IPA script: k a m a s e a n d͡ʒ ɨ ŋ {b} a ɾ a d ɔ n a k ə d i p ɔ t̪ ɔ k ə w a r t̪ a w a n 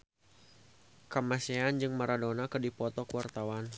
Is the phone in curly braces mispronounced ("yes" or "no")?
yes